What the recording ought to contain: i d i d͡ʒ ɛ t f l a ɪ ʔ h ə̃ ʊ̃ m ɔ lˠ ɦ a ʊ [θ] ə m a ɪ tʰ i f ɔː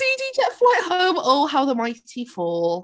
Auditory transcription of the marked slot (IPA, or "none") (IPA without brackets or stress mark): ð